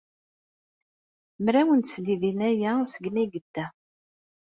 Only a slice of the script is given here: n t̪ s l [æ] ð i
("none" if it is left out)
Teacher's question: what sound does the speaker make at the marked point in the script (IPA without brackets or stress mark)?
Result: i